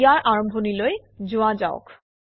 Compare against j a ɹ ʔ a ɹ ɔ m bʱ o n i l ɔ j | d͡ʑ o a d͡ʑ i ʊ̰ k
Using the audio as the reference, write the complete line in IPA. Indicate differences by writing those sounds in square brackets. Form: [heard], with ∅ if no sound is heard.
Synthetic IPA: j a ɹ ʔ a ɹ ɔ m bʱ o n i l [o] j | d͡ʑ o a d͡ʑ [a] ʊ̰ k